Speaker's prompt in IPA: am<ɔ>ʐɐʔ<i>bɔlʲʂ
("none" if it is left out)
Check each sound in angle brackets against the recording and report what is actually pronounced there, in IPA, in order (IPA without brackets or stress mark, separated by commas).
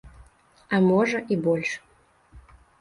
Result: ɔ, i